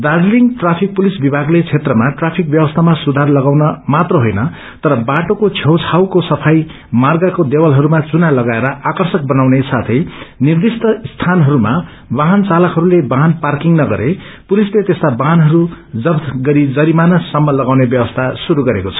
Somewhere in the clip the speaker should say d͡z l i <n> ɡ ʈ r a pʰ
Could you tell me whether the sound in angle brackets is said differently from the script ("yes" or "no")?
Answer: yes